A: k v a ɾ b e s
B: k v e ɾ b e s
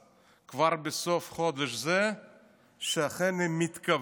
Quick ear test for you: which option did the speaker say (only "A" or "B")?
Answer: A